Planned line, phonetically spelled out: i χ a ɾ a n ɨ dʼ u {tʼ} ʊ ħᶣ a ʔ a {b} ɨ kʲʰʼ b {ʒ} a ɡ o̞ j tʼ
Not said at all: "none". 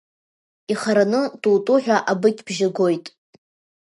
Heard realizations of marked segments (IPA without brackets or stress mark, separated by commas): tʼ, b, ʒ